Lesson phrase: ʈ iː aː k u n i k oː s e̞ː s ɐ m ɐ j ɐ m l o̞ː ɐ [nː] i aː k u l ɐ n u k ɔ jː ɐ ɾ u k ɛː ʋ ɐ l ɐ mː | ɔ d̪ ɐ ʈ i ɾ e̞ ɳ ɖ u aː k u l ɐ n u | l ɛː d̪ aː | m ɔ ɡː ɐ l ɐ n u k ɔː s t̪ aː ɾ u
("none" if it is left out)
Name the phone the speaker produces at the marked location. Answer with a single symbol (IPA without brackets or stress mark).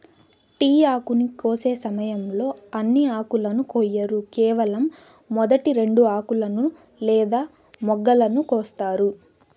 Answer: nː